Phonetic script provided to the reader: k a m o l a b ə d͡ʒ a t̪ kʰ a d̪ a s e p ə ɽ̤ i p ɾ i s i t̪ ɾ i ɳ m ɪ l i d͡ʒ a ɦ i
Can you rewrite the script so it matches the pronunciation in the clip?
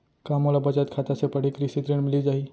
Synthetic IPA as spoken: k a m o l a b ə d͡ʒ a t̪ kʰ a t̪ a s e p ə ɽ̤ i k ɾ i s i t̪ ɾ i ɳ m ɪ l i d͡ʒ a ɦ i